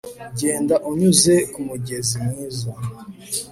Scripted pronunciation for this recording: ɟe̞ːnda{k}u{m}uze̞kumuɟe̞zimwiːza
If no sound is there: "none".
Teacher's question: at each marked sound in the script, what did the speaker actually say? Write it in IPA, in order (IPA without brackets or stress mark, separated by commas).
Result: ʔ, ɲ